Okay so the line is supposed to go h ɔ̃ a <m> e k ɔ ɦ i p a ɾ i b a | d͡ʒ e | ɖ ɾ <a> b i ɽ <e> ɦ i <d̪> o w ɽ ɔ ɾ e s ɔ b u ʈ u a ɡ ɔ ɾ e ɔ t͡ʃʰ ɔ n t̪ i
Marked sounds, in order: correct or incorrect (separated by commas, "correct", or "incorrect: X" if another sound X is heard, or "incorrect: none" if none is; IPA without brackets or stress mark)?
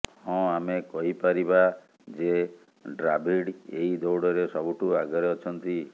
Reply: correct, correct, correct, correct